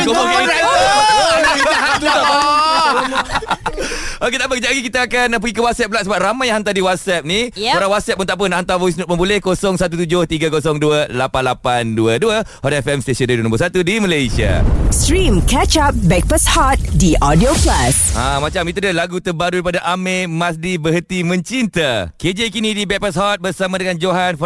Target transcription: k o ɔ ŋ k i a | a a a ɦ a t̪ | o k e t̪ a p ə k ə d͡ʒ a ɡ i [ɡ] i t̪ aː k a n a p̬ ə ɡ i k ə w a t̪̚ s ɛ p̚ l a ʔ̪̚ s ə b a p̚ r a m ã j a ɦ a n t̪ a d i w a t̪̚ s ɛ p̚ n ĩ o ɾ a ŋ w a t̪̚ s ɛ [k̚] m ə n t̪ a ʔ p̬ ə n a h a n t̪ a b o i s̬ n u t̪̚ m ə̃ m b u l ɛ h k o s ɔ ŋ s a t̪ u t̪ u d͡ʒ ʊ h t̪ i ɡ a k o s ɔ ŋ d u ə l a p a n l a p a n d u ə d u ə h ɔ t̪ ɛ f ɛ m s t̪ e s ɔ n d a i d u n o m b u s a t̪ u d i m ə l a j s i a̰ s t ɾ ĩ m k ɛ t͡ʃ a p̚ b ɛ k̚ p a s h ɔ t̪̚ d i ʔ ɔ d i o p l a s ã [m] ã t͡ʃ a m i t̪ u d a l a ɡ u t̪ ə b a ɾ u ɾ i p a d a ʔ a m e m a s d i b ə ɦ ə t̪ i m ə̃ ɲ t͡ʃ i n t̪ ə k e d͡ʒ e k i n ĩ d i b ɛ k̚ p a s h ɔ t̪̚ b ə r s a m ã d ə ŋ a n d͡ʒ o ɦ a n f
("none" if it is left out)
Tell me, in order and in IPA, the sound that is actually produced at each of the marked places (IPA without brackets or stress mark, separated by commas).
k, p̚, m